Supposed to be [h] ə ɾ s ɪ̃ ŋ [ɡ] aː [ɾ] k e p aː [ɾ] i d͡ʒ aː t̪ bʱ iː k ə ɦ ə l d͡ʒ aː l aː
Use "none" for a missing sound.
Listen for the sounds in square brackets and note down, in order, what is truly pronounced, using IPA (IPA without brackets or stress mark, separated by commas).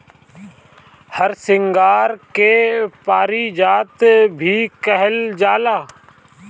h, ɡ, ɾ, ɾ